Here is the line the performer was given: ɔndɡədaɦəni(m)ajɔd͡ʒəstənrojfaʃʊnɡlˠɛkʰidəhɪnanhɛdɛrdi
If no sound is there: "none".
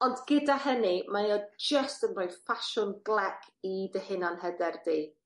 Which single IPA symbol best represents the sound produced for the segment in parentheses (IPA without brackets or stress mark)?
m